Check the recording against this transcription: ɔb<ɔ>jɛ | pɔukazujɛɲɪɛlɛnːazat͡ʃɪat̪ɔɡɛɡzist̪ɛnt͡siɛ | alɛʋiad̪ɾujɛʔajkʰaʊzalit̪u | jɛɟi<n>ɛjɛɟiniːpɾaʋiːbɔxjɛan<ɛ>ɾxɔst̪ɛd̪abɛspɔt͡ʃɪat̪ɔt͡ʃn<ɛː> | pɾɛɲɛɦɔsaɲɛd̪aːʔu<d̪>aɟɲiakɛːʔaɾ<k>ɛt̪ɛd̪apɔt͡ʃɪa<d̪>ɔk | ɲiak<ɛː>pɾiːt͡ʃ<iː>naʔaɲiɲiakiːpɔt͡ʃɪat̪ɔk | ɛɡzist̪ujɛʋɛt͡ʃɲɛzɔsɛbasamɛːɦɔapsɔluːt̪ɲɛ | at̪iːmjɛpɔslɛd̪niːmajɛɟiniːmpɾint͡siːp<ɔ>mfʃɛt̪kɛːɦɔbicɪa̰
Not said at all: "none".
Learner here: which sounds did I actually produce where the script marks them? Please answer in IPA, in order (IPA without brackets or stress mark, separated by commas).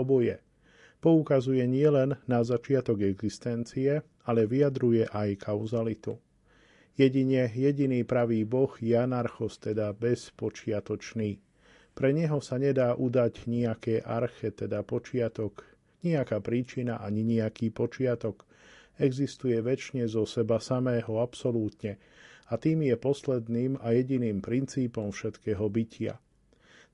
ɔ, ɲ, a, iː, d̪, x, t̪, aː, i, ɔ